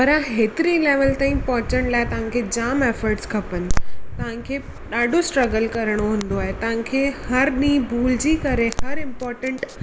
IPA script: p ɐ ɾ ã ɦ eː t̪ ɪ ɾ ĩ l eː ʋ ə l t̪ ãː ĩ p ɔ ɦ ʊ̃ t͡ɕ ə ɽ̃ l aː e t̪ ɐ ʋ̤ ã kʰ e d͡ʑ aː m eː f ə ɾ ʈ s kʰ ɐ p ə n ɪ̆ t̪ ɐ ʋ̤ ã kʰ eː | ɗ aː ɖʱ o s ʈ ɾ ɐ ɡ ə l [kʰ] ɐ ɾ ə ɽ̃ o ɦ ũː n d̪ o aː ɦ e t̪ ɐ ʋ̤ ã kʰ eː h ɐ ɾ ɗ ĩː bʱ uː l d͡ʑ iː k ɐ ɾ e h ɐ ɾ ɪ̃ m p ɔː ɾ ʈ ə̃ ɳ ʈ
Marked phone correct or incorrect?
incorrect: k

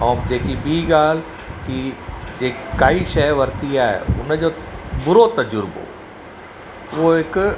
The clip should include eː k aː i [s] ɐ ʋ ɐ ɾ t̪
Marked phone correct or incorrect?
incorrect: ʃ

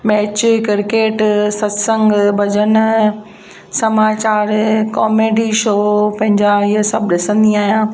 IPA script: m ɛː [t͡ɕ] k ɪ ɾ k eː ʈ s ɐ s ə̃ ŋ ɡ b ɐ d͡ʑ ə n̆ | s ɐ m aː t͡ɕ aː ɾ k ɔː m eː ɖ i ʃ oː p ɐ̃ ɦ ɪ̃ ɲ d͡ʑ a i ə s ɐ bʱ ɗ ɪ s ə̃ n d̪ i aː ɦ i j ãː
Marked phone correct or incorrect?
correct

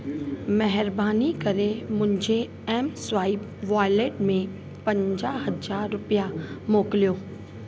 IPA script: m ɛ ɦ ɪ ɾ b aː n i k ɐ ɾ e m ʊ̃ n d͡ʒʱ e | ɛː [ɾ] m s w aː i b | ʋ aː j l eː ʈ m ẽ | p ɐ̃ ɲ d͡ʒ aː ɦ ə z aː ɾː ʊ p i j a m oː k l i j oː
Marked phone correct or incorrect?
incorrect: none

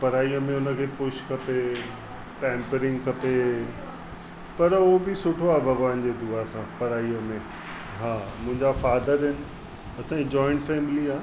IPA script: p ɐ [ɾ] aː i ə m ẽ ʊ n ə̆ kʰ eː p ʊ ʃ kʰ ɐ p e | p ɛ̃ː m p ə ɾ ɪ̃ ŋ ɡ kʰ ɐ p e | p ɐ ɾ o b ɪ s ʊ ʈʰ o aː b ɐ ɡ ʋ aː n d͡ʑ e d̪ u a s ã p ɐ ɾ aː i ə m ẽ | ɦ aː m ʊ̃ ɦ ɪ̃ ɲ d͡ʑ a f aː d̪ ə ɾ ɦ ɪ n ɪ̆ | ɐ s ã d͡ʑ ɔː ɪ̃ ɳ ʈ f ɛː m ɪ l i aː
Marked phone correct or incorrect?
correct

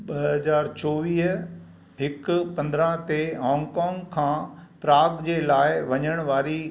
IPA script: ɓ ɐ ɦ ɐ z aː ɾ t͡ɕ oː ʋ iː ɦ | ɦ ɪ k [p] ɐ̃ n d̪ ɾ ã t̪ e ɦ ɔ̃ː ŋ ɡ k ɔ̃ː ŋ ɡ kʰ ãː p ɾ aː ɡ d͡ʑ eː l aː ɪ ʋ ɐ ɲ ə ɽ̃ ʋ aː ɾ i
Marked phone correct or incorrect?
correct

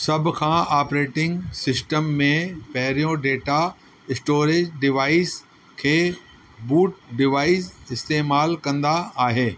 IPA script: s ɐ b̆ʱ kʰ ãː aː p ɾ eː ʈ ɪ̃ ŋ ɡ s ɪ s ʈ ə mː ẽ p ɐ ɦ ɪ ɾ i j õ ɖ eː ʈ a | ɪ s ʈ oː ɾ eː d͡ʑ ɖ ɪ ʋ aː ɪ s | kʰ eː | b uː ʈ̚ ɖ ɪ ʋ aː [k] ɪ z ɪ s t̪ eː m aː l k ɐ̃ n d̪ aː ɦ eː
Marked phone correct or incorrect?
incorrect: none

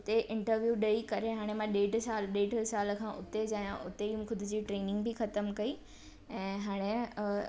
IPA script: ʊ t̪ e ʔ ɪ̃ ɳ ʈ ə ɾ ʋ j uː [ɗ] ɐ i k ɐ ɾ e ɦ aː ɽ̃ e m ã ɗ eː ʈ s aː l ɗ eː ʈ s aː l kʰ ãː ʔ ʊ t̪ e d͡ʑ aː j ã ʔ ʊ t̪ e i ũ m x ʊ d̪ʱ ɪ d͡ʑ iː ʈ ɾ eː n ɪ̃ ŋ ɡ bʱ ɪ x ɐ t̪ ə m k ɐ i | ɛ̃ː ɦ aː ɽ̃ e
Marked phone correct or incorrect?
correct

